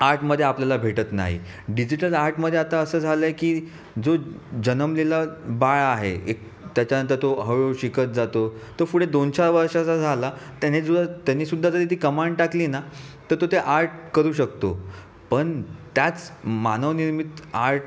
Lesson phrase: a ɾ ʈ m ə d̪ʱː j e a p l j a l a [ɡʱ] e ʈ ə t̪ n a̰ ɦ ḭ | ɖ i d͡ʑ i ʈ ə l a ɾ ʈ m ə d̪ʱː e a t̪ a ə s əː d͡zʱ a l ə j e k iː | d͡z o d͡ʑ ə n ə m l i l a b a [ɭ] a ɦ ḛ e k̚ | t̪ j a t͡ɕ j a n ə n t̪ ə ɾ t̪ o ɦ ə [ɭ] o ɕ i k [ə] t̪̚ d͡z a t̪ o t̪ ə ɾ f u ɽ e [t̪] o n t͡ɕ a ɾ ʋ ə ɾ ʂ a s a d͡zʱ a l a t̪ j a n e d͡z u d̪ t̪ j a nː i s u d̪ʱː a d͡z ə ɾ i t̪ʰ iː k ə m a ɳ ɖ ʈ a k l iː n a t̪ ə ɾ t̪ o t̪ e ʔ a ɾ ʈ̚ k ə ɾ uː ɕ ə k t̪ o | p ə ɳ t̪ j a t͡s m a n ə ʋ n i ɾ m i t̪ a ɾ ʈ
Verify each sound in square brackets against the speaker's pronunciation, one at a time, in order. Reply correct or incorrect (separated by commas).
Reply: incorrect, correct, correct, correct, incorrect